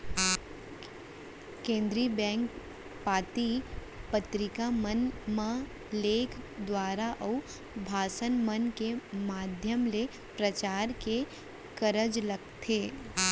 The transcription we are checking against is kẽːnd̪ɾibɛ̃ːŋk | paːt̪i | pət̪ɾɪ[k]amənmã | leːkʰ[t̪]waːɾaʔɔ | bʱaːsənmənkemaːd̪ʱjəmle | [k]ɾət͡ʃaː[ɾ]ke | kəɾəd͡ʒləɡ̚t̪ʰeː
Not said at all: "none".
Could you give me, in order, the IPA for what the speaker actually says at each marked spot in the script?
k, d̪, p, ɾ

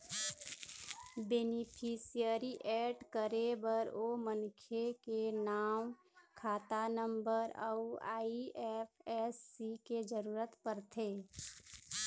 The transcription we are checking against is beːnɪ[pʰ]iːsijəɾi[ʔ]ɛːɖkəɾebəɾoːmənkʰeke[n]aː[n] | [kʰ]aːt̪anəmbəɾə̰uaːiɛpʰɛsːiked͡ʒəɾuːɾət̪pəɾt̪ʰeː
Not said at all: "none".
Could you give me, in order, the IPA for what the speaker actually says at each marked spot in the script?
pʰ, ʔ, n, m, kʰ

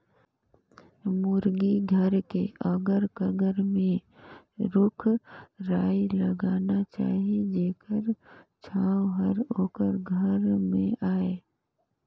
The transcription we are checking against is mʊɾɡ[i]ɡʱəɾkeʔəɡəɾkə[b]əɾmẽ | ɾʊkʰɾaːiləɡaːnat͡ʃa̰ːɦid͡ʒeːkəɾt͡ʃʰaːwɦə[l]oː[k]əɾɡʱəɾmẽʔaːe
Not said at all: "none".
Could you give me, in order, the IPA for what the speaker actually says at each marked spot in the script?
i, ɡ, ɾ, k

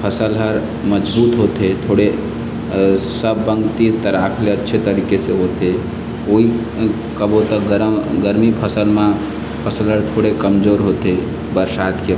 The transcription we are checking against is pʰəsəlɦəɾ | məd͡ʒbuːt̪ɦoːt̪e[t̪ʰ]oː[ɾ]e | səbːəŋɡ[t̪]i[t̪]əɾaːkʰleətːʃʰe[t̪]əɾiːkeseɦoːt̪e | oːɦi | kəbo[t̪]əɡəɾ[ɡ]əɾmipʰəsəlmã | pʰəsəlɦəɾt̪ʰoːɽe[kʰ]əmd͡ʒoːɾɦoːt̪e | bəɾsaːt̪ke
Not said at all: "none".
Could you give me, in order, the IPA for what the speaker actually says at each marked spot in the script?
t̪ʰ, ɽ, t̪, t̪, t̪, t̪, ɡ, k

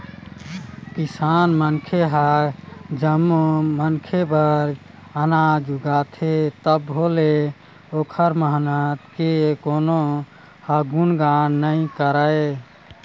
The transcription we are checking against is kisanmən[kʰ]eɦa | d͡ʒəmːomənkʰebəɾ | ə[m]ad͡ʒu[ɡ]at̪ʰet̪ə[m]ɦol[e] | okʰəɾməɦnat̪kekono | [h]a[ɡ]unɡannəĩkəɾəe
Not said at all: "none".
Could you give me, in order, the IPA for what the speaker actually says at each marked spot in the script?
kʰ, n, ɡ, b, e, h, ɡ

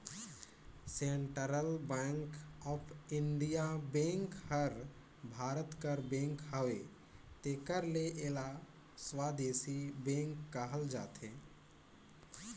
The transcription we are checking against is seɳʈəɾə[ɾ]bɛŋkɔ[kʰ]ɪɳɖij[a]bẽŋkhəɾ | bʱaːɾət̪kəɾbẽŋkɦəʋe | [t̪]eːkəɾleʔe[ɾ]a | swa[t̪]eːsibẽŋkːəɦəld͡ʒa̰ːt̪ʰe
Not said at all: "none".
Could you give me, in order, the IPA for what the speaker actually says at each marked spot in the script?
l, pʰ, a, t̪, l, d̪

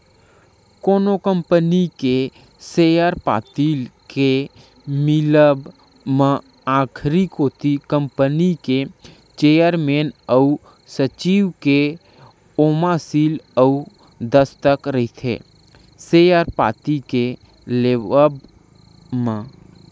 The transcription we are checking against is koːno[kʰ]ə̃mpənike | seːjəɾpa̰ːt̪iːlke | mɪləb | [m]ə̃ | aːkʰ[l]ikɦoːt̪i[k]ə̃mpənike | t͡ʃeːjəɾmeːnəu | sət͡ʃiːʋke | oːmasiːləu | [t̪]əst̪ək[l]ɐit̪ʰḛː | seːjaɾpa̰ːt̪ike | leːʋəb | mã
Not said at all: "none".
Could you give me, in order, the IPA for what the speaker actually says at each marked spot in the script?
k, m, ɾ, k, d̪, ɾ

